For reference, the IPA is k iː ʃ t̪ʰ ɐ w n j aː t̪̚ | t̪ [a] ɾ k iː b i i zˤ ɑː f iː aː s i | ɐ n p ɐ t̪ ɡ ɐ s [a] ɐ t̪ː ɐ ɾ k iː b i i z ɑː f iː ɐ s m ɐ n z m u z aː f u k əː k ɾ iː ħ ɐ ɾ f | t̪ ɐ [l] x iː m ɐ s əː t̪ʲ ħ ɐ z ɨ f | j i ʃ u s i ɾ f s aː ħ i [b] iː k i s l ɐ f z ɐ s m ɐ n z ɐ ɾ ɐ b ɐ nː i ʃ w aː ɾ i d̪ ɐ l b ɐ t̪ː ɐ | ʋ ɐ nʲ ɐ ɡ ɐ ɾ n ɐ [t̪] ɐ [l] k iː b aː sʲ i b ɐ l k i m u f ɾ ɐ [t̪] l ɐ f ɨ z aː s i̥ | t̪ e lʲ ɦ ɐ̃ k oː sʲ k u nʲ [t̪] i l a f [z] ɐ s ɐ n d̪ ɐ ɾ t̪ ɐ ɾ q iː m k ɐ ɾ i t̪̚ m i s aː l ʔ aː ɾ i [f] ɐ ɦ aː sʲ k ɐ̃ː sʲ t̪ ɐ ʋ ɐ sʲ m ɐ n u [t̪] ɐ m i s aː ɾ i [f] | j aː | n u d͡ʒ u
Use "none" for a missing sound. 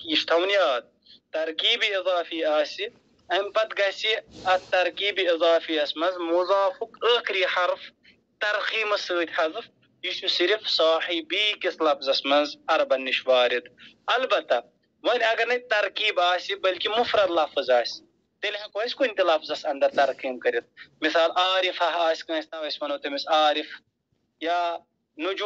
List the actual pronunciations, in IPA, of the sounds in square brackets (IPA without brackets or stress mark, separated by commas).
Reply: ɐ, i, ɾ, b, t̪, ɾ, d̪, t̪, z, f, t̪, f